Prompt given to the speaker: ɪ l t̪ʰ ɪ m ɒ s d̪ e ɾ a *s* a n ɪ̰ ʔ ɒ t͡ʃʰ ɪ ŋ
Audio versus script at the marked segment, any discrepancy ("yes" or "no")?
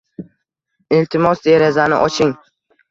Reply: yes